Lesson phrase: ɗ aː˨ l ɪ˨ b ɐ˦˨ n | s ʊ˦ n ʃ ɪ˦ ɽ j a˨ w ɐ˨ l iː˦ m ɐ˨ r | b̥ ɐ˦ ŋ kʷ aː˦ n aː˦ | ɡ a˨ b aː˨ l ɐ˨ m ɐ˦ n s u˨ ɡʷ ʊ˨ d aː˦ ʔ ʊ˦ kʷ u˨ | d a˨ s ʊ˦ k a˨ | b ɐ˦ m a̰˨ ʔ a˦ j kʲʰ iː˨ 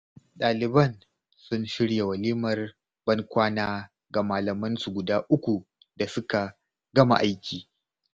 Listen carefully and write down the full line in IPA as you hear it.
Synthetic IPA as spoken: ɗ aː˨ l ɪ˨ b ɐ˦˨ n | s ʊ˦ n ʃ ɪ˦ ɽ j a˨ w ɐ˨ l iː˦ m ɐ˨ r | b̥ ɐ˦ ŋ kʷ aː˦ n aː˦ | ɡ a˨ m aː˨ l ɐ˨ m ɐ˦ n s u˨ ɡʷ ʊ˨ d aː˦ ʔ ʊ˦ kʷ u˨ | d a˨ s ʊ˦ k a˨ | ɡ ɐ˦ m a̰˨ ʔ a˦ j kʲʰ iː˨